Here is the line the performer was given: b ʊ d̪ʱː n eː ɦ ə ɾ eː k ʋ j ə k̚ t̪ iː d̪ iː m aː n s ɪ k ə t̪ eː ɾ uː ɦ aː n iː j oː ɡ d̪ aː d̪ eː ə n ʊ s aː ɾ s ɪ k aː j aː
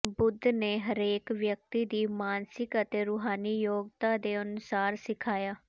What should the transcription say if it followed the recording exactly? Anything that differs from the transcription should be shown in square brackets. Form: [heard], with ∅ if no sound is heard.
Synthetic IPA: b ʊ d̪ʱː n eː ɦ ə ɾ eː k ʋ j ə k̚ t̪ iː d̪ iː m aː n s ɪ k ə t̪ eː ɾ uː ɦ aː n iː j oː ɡ [t̪] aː d̪ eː ə n ʊ s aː ɾ s ɪ [kʰ] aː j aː